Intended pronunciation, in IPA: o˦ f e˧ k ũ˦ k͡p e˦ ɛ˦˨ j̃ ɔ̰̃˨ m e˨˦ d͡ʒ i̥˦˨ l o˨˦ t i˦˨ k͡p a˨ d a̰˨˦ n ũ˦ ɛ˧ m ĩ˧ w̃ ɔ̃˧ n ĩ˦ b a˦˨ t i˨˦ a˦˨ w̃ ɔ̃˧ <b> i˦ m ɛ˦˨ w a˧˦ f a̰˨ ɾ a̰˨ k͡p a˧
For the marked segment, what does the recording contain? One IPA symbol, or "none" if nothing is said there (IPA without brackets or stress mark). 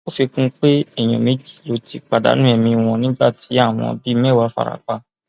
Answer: b